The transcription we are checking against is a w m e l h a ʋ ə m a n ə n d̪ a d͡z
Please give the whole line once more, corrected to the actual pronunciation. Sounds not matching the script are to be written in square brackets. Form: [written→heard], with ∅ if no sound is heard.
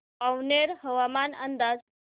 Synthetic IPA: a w [m→n] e [l→ɾ] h [a→ə] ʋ [ə→a] m a n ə n d̪ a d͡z